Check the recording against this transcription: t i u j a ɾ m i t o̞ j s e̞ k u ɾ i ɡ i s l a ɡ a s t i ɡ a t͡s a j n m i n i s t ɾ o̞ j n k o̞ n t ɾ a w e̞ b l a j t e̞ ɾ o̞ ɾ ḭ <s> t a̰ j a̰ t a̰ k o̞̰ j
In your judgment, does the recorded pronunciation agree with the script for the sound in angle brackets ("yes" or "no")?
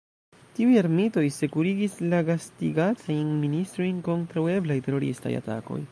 yes